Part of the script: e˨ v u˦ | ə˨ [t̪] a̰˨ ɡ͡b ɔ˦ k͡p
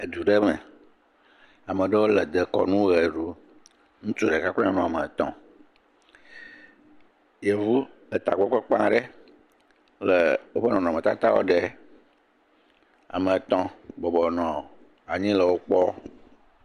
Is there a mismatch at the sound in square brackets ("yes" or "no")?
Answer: no